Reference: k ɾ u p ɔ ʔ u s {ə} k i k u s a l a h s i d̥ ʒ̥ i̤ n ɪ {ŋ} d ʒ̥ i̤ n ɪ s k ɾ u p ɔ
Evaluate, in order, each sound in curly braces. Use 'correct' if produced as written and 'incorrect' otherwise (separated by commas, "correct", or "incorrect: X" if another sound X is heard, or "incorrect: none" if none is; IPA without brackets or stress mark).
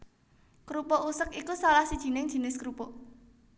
correct, correct